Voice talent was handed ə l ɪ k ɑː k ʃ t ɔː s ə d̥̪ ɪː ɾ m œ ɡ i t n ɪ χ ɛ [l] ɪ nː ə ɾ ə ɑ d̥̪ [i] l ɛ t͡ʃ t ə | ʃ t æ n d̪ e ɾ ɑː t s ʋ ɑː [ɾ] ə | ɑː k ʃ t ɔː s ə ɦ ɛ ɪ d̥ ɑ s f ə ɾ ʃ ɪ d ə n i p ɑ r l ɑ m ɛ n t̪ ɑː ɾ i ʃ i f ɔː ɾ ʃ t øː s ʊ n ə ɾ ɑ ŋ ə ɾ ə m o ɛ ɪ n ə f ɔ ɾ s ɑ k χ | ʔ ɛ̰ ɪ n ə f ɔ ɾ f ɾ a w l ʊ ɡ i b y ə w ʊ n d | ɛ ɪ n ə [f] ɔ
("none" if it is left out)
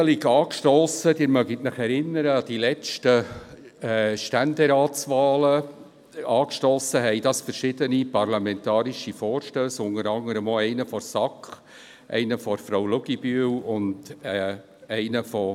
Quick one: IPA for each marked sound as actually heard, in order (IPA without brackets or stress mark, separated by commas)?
ɾ, i, l, f